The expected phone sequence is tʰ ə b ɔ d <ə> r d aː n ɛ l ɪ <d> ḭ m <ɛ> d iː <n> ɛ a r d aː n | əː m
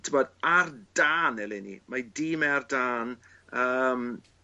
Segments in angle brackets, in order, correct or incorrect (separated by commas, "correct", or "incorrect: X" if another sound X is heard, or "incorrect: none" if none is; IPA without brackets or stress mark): incorrect: a, incorrect: n, incorrect: a, incorrect: m